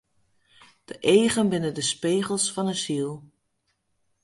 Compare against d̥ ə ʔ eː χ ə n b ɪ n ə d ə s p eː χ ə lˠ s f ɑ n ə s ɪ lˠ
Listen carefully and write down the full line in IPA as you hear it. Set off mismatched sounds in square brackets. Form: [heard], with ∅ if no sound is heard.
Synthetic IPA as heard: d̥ ə ʔ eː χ ə n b ɪ n ə d ə s p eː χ ə lˠ s f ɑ n ə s [i] lˠ